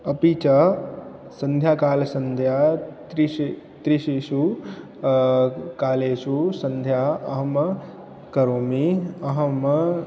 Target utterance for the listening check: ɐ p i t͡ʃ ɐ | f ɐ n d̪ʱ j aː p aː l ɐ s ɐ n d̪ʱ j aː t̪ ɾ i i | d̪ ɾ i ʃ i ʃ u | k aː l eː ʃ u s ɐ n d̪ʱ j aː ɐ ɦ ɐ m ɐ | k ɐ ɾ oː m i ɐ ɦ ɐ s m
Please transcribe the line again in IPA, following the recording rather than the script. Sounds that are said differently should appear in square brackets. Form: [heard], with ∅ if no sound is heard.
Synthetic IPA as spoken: ɐ p i t͡ʃ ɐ | [s] ɐ n d̪ʱ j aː [k] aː l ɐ s ɐ n d̪ʱ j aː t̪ ɾ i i | [t̪] ɾ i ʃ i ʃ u | k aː l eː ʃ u s ɐ n d̪ʱ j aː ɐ ɦ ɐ m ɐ | k ɐ ɾ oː m i ɐ ɦ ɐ [∅] m

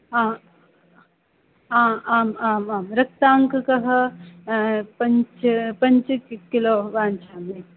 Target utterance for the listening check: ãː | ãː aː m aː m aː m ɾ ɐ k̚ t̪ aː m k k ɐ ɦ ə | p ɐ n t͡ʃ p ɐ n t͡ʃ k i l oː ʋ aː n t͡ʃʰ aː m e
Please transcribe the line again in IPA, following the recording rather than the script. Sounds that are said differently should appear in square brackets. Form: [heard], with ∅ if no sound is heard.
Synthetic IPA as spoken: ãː | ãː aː m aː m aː m ɾ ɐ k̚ t̪ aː [ŋ] k k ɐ ɦ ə | p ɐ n t͡ʃ p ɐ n t͡ʃ k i l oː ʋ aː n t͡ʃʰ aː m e

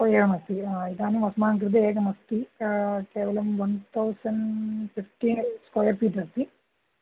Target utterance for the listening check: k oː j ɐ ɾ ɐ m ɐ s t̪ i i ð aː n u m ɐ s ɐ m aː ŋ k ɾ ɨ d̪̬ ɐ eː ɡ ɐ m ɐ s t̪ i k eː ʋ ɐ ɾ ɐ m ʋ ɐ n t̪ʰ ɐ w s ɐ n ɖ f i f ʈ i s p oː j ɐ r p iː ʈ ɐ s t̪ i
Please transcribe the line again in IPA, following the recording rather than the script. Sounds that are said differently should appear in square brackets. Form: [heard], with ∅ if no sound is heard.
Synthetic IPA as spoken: k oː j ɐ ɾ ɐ m ɐ s t̪ i i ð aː n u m ɐ s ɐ m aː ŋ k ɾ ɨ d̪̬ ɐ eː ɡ ɐ m ɐ s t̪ i k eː ʋ ɐ [l] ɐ m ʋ ɐ n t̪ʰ ɐ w s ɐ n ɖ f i f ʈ i s [k] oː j ɐ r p iː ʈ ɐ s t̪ i

